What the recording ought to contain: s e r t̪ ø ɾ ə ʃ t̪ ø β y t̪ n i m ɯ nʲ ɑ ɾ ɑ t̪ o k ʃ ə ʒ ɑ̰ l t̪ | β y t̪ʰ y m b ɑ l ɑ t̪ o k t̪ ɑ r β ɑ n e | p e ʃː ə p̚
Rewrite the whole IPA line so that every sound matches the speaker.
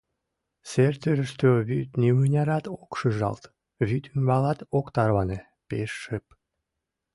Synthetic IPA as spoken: s e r t̪ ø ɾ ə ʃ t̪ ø β y t̪ n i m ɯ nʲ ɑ ɾ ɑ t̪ o k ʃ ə ʒ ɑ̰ l t̪ | β y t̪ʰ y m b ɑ l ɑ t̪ o k t̪ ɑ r β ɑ n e | p e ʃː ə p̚